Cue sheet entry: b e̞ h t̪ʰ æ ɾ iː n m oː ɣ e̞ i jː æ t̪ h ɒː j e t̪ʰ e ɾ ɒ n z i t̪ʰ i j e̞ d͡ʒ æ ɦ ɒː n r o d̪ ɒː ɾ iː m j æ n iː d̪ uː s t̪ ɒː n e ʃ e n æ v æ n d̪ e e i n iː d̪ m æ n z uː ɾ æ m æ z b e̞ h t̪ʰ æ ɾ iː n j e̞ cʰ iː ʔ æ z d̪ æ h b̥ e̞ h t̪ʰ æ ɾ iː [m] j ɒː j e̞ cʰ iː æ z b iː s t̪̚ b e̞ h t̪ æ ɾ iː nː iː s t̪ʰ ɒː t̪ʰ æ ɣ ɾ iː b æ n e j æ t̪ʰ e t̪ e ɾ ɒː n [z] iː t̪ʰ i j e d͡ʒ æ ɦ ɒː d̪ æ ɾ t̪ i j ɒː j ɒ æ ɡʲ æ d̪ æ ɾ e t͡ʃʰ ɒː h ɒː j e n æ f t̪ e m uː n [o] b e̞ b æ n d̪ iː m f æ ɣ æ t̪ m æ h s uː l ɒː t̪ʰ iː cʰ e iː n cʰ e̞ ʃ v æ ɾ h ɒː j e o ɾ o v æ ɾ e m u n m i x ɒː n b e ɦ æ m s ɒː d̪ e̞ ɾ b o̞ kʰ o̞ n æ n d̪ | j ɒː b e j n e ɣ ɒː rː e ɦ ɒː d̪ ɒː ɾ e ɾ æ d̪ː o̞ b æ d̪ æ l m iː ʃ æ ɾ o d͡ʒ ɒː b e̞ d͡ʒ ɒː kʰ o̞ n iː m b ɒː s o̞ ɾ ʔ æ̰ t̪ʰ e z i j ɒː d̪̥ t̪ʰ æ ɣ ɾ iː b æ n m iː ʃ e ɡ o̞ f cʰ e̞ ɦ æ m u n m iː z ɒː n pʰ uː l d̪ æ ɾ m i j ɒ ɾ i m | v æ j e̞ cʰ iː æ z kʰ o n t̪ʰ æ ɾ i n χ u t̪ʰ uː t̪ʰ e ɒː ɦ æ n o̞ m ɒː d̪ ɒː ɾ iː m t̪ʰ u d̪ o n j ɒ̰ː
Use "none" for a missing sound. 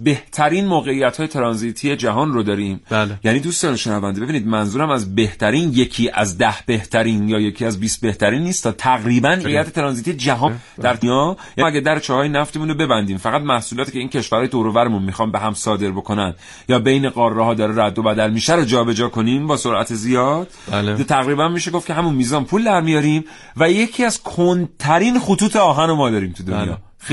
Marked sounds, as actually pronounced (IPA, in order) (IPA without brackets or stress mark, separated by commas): n, z, o